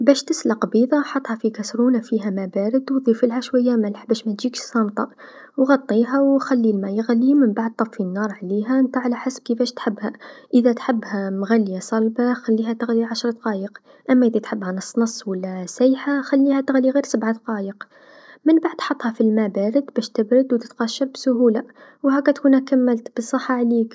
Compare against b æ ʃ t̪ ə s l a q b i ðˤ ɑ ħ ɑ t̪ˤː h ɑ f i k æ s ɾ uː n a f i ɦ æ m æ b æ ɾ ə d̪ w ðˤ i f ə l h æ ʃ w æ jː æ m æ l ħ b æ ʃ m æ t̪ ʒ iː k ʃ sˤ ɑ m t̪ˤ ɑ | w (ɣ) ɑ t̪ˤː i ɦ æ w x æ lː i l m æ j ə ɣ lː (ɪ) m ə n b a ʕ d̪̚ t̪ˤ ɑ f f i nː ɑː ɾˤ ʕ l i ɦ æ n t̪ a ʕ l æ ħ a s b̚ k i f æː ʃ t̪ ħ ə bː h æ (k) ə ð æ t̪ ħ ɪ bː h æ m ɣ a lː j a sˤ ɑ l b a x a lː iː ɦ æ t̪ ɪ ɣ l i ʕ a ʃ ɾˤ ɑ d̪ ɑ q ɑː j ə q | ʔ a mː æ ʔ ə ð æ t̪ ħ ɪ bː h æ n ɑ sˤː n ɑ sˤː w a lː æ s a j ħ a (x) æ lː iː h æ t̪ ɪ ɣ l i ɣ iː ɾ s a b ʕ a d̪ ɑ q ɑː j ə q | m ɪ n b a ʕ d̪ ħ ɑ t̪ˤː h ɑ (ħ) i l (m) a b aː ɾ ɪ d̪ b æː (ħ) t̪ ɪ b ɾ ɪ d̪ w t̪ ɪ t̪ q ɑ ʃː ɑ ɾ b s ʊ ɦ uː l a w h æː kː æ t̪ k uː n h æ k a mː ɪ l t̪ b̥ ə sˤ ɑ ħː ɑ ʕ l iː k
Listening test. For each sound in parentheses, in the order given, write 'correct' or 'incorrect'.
correct, incorrect: i, incorrect: ʔ, correct, incorrect: f, correct, incorrect: ʃ

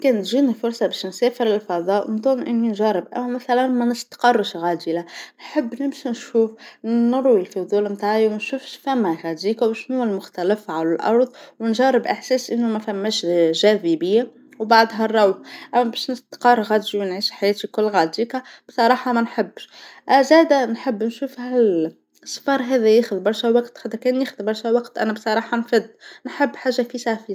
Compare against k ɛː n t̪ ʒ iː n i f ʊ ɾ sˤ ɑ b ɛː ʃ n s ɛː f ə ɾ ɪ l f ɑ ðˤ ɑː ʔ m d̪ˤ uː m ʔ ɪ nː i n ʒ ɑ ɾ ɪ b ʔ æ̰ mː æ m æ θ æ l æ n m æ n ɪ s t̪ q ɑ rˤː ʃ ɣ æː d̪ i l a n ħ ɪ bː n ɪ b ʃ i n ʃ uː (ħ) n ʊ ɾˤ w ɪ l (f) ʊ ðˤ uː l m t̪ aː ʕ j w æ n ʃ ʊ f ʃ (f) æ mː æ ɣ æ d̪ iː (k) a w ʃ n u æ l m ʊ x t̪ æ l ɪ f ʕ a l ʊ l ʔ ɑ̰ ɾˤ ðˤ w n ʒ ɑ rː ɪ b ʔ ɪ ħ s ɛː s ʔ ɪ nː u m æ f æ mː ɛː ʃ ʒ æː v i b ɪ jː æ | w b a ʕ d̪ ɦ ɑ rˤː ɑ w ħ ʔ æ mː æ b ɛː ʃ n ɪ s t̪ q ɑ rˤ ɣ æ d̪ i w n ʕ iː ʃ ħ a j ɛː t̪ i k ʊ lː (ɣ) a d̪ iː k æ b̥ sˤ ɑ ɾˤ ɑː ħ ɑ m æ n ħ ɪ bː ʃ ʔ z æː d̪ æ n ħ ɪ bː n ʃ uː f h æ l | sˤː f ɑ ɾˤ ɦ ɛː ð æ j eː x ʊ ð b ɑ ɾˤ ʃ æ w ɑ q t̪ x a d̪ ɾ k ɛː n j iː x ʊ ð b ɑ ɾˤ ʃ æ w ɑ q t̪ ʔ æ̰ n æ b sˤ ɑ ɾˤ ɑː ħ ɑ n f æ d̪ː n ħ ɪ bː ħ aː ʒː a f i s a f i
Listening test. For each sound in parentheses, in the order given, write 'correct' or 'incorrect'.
incorrect: f, correct, correct, correct, correct

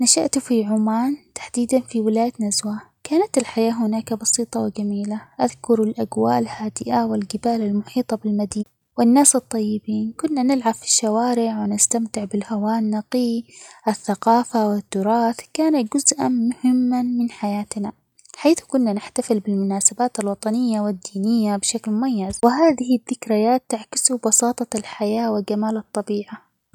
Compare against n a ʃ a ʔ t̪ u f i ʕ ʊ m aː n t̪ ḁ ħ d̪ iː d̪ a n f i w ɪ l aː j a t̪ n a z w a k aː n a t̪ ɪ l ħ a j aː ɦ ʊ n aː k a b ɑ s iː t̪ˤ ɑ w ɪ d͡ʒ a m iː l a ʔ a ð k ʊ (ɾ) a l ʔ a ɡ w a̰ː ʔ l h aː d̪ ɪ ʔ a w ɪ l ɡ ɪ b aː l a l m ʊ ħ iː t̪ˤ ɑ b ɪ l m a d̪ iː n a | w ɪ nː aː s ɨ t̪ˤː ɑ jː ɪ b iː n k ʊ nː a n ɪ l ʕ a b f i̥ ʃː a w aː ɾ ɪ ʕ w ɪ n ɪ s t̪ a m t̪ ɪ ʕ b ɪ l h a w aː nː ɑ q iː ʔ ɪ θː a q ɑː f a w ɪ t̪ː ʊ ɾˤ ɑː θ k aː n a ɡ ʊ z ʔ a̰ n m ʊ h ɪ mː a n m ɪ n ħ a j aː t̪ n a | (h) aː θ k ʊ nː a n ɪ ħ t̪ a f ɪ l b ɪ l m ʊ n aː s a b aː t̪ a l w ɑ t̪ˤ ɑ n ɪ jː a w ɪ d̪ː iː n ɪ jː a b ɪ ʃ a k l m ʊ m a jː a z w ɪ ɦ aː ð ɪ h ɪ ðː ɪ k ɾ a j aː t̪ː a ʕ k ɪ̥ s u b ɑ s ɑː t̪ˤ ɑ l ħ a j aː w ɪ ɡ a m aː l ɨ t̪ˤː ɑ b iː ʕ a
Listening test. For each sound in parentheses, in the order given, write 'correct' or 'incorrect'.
correct, incorrect: ħ

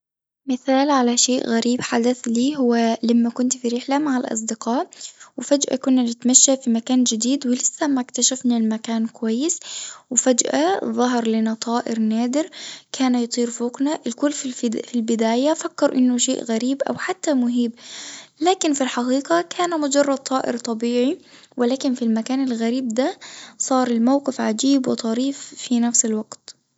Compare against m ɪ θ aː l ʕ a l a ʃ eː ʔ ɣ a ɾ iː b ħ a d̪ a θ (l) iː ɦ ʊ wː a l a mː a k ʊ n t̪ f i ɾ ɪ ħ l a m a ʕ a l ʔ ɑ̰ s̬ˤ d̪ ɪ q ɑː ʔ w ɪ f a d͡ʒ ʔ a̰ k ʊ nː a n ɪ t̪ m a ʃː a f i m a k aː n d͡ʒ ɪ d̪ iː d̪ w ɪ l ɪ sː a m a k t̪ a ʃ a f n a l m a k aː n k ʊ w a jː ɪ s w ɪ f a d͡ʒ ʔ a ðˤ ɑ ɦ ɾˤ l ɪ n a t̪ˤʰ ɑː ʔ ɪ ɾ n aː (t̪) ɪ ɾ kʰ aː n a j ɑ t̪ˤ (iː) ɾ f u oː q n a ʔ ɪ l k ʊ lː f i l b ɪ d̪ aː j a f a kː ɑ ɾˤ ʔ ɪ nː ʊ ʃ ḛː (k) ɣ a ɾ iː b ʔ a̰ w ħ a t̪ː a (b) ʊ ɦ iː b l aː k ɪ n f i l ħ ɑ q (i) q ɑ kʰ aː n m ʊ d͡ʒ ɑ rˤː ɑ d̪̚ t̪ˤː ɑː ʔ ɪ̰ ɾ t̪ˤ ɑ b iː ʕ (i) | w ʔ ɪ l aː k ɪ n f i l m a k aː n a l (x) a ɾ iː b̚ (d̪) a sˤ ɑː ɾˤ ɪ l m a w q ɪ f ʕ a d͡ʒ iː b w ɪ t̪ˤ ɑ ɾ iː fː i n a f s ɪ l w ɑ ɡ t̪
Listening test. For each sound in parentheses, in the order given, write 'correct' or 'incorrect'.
correct, incorrect: d̪, correct, incorrect: ʔ, incorrect: m, incorrect: iː, correct, incorrect: ɣ, correct

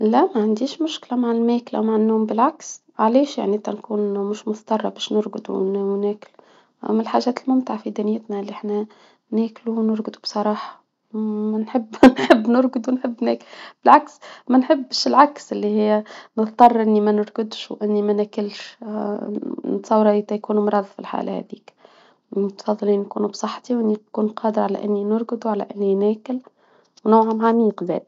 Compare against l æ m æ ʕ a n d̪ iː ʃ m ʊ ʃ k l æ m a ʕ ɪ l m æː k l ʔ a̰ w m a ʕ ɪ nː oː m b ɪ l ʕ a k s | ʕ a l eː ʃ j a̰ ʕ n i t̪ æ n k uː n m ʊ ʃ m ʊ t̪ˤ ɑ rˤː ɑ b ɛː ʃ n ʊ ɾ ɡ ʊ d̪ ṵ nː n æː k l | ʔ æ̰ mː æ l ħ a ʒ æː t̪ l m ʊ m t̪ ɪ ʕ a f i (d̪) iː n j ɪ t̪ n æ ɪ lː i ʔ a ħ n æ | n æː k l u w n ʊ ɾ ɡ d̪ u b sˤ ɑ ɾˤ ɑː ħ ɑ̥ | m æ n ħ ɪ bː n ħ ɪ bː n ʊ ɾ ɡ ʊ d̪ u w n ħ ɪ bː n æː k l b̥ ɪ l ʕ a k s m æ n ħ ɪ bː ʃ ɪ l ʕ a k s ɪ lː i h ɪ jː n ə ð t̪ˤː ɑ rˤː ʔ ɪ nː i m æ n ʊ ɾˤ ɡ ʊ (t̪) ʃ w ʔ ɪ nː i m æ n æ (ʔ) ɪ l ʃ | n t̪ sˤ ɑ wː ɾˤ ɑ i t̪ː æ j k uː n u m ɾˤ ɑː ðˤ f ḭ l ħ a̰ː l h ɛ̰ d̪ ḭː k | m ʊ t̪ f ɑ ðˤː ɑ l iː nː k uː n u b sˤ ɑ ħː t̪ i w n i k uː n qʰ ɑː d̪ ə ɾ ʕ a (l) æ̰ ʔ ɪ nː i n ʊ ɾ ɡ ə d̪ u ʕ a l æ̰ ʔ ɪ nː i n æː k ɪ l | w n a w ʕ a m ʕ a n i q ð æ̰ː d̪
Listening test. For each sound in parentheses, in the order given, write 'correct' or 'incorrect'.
correct, incorrect: d̪, incorrect: k, correct

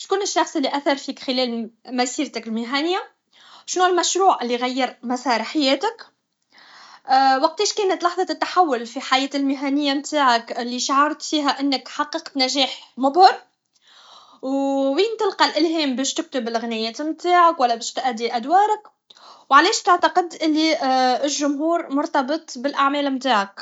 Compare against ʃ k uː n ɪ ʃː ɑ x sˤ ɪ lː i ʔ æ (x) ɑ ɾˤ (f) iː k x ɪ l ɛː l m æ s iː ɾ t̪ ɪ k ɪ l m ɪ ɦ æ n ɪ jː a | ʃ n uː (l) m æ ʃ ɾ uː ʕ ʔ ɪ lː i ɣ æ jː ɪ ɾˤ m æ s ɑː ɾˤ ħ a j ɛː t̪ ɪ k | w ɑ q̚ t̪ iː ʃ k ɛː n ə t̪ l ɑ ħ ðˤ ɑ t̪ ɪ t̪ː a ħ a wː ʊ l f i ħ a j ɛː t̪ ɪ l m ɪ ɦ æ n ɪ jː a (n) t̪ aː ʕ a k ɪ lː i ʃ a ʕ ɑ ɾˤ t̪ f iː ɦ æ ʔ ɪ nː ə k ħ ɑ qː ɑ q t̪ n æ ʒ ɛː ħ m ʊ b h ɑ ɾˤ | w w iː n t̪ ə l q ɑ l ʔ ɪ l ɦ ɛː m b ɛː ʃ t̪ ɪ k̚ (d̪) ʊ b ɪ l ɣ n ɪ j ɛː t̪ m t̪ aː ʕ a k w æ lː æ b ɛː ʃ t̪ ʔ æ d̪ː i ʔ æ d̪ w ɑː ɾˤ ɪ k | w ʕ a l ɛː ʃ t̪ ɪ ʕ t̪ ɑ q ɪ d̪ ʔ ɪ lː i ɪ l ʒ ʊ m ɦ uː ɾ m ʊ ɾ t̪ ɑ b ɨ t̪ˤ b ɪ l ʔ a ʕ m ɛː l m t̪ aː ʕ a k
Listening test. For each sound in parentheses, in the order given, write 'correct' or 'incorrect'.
incorrect: θ, correct, correct, incorrect: m, incorrect: t̪

